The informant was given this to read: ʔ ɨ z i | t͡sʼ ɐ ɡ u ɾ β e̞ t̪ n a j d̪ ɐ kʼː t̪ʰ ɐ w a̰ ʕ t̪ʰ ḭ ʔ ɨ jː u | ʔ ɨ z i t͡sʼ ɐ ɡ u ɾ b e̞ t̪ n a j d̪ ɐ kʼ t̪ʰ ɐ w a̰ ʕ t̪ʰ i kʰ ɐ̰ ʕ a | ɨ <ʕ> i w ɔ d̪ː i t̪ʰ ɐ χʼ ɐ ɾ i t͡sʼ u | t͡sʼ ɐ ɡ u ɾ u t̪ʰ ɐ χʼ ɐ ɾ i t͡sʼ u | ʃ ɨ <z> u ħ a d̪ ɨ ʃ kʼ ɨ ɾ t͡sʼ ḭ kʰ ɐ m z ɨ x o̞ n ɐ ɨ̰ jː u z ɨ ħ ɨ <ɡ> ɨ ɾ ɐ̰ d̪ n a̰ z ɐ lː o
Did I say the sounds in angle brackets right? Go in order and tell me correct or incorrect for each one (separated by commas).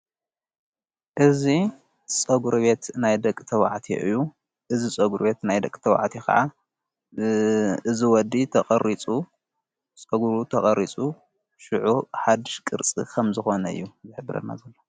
incorrect, incorrect, incorrect